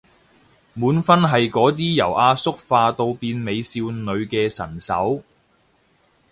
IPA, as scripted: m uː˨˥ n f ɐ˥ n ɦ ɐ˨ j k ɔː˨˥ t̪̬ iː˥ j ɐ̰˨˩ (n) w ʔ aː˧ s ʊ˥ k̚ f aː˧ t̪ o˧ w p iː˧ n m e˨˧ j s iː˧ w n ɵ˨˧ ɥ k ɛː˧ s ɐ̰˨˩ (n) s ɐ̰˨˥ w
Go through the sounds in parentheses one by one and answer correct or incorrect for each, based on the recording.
incorrect: none, correct

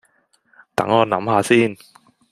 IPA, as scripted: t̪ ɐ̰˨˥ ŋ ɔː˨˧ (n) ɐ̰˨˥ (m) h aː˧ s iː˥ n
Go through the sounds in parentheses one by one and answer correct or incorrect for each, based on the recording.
correct, correct

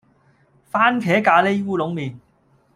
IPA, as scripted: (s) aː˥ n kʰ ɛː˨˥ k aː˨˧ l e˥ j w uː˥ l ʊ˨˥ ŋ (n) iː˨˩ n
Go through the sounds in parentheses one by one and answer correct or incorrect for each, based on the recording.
incorrect: f, incorrect: m

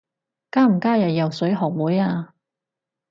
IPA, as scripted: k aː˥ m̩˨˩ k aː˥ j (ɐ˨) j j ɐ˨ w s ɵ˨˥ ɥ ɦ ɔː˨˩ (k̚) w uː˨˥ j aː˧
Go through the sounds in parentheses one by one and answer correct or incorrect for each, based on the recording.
correct, correct

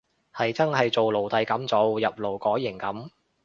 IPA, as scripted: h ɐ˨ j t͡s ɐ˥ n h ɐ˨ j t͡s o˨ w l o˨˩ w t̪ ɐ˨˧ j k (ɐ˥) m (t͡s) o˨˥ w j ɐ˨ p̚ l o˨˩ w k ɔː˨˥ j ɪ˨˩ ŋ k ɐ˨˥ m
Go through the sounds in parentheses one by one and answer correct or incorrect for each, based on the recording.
incorrect: ɐ˨˥, correct

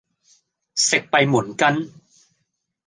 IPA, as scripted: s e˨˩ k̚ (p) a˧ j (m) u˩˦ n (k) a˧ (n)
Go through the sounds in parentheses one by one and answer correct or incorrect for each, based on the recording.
correct, correct, correct, correct

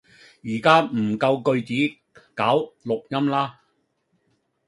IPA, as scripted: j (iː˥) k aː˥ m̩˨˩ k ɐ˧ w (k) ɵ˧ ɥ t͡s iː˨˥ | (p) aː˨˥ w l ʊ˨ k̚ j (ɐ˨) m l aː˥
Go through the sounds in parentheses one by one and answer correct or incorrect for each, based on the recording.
incorrect: iː˨˩, correct, incorrect: k, incorrect: ɐ˥

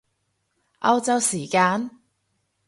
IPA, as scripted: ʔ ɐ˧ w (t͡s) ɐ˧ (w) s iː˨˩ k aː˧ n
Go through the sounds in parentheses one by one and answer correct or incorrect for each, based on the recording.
correct, correct

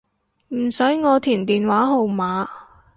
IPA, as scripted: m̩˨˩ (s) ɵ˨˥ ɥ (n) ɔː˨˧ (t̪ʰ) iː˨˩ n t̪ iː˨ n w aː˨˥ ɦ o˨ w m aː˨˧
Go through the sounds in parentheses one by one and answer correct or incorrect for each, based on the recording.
correct, incorrect: ŋ, correct

